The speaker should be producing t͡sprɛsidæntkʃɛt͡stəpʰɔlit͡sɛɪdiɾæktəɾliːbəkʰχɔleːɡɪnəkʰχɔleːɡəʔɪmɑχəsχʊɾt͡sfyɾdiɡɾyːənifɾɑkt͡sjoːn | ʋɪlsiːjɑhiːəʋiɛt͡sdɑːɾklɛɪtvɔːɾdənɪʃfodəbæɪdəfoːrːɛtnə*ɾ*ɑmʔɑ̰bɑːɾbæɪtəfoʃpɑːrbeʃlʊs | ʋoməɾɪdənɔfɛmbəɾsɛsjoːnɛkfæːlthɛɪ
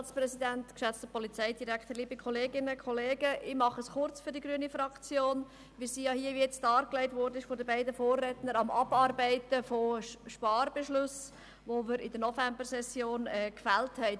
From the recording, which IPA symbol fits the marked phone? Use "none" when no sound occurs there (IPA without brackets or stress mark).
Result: ɾ